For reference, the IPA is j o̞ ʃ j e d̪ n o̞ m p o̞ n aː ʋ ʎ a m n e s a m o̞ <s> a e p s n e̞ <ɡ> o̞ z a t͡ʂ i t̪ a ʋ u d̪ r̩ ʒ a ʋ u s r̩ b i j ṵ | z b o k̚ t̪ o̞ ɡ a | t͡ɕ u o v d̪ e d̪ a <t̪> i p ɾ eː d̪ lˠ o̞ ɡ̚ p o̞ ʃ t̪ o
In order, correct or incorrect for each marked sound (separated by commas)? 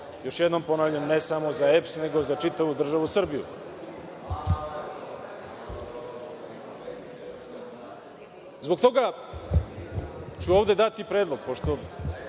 incorrect, correct, correct